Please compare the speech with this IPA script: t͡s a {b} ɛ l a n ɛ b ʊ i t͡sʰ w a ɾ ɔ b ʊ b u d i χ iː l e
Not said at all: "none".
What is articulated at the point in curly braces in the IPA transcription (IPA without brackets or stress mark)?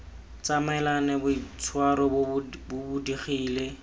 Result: m